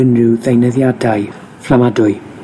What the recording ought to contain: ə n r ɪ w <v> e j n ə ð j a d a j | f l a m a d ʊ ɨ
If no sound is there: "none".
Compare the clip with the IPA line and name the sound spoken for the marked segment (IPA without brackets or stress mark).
ð